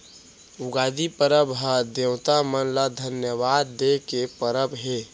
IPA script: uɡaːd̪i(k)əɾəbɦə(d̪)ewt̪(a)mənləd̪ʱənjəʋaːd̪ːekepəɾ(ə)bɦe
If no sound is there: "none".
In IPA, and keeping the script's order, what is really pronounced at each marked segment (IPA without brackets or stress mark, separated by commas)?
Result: p, d̪, a, ə